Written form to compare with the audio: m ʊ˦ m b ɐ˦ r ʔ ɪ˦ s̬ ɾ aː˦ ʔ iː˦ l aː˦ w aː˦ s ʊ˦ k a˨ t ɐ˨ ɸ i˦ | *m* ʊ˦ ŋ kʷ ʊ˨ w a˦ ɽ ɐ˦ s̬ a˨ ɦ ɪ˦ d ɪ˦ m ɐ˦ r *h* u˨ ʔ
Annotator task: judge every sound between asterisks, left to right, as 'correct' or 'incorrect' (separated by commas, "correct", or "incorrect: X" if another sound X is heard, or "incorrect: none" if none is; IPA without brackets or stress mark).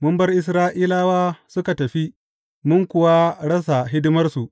correct, incorrect: s